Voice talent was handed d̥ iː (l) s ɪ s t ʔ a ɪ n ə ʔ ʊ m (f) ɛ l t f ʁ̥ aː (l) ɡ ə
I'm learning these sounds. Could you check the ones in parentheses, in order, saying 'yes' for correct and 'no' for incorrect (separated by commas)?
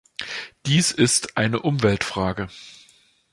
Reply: no, no, no